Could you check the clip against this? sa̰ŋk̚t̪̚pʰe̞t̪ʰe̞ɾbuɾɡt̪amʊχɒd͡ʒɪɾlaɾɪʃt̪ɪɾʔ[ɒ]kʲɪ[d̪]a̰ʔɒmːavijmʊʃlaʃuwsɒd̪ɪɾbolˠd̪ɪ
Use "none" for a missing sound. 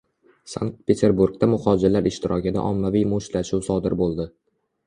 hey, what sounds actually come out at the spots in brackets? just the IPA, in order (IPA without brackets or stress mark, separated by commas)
ɒ, d̪